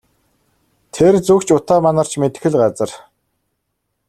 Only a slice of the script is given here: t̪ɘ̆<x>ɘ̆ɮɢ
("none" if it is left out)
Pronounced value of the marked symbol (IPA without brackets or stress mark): x